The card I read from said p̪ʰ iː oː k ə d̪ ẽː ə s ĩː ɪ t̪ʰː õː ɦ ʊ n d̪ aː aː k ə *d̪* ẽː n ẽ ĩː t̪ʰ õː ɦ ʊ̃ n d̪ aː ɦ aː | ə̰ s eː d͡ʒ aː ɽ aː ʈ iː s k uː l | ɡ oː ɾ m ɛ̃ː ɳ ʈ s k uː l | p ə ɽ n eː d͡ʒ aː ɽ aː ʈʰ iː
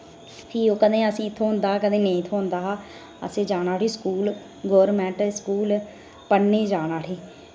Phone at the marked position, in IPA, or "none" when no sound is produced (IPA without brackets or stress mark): d̪